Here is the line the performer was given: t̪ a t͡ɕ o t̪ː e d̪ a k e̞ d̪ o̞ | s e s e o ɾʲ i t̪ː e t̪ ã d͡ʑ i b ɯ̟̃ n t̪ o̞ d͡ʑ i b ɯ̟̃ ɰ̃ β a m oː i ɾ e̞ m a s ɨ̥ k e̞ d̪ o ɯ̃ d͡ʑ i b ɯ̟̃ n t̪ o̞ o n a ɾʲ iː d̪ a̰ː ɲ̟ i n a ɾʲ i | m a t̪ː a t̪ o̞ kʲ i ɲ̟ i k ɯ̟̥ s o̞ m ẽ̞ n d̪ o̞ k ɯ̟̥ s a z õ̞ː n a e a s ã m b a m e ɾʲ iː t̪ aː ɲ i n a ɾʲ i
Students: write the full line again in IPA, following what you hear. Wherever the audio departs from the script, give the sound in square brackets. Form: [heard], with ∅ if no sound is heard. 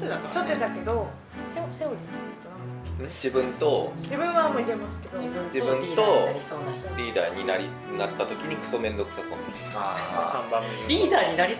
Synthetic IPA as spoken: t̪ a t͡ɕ o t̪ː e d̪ a k e̞ d̪ o̞ | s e s e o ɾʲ i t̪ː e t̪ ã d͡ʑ i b ɯ̟̃ n t̪ o̞ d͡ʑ i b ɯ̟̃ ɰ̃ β a m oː i ɾ e̞ m a s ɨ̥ k e̞ d̪ o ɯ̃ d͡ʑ i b ɯ̟̃ n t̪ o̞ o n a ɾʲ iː d̪ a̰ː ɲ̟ i n a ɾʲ i | [n] a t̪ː a t̪ o̞ kʲ i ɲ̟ i k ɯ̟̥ s o̞ m ẽ̞ n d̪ o̞ k ɯ̟̥ s a [s] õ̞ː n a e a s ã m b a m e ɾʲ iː [d̪] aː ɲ i n a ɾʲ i